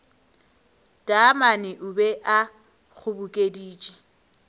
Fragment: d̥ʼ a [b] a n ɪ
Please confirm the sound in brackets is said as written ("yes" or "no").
no